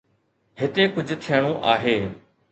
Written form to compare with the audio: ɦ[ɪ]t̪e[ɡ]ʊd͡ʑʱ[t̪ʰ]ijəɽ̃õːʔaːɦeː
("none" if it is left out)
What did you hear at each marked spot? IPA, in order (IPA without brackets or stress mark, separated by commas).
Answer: ɪ, k, t̪ʰ